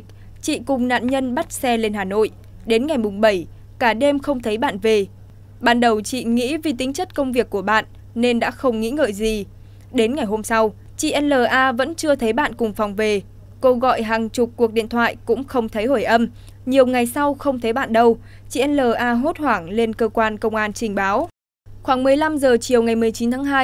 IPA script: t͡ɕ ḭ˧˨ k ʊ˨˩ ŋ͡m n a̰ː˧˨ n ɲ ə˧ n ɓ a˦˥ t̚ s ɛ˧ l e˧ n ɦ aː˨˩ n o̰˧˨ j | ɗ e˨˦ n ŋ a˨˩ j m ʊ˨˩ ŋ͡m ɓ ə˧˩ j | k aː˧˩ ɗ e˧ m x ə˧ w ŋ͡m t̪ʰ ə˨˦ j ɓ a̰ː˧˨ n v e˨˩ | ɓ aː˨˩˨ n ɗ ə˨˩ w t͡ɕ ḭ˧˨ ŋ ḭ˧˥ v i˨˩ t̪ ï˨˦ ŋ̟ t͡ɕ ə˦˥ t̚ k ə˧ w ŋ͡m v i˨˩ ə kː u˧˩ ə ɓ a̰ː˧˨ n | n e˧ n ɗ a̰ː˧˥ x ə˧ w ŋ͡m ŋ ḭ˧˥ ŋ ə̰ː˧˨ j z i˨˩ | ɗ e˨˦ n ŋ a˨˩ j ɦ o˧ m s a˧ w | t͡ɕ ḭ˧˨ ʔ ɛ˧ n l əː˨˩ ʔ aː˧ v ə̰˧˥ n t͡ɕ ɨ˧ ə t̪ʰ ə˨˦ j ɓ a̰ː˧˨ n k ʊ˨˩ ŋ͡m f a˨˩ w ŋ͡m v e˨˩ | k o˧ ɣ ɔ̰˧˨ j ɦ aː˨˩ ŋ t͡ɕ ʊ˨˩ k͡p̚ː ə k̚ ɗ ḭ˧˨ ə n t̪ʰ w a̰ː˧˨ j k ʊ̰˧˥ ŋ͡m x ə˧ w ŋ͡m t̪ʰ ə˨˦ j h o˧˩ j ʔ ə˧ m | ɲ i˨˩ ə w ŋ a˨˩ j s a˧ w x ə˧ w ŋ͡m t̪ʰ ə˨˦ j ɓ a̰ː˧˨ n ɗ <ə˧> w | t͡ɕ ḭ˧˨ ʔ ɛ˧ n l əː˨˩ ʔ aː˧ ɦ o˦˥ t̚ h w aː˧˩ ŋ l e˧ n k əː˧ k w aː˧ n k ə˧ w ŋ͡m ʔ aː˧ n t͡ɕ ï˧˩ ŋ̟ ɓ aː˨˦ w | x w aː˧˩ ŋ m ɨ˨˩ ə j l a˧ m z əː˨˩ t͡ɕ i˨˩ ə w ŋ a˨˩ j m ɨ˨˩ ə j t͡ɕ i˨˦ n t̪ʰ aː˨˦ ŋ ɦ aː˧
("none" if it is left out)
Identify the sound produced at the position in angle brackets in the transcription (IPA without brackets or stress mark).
ə˧